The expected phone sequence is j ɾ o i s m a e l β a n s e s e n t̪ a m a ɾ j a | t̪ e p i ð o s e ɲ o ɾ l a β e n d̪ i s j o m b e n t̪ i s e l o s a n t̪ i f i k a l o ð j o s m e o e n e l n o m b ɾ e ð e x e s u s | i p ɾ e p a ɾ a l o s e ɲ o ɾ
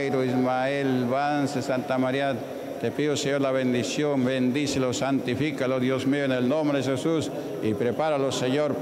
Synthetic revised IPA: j ɾ o i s m a e l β a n s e s a n t̪ a m a ɾ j a | t̪ e p i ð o s e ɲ o ɾ l a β e n d̪ i s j o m b e n d̪ i s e l o s a n t̪ i f i k a l o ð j o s m e o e n e l n o m b ɾ e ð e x e s u s | i p ɾ e p a ɾ a l o s e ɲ o ɾ